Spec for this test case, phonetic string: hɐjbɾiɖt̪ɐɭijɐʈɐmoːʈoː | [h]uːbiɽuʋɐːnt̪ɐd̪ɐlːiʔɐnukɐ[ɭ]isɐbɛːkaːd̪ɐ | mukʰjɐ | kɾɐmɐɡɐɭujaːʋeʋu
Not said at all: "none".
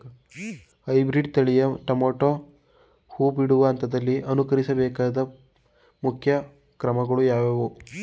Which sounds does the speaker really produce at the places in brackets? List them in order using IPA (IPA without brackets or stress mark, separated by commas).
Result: h, ɾ